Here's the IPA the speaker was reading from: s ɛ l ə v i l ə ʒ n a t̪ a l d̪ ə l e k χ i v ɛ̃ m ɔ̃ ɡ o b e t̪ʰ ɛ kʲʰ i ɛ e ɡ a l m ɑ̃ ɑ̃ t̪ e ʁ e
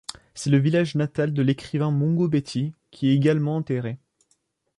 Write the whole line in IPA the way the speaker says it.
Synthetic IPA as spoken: s ɛ l ə v i l a ʒ n a t̪ a l d̪ ə l e k χ i v ɛ̃ m ɔ̃ ɡ o b e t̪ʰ i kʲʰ i ɛ e ɡ a l m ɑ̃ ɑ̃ t̪ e ʁ e